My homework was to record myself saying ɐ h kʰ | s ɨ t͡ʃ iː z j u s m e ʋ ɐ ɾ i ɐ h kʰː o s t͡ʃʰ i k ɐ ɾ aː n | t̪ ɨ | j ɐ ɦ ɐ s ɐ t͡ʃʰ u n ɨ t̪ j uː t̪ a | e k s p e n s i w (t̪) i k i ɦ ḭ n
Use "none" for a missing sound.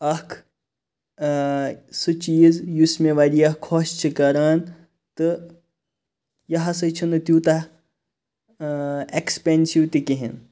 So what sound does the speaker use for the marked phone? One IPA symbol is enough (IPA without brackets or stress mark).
t̪